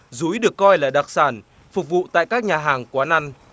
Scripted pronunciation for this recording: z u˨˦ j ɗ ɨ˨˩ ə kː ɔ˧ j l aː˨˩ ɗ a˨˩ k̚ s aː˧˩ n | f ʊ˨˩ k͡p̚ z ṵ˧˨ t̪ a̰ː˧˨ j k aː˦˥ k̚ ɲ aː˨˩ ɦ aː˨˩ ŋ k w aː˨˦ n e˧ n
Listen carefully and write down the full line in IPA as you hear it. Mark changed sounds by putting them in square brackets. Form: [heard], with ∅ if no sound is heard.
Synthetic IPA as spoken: z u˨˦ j ɗ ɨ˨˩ ə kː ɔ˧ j l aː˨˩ ɗ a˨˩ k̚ s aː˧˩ n | f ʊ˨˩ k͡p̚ [v] ṵ˧˨ t̪ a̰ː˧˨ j k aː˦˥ k̚ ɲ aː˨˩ ɦ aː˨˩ ŋ k w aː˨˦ n [a˧] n

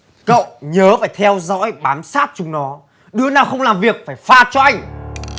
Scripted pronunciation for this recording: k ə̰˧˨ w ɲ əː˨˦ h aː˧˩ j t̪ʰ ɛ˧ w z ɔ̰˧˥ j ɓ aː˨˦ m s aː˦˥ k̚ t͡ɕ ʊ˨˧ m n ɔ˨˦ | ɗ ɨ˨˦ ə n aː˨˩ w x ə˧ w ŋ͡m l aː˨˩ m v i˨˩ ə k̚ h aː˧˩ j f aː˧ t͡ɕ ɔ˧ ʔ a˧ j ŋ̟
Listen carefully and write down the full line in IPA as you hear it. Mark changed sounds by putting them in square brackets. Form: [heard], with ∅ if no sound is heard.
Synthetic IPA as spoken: k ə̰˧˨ w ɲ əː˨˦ [f] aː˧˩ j t̪ʰ ɛ˧ w z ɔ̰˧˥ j ɓ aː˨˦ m s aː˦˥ [t̚] t͡ɕ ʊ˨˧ [ŋ͡m] n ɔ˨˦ | ɗ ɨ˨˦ ə n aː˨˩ w x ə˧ w ŋ͡m l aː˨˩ m v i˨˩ ə k̚ [f] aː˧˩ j f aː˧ t͡ɕ ɔ˧ ʔ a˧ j ŋ̟

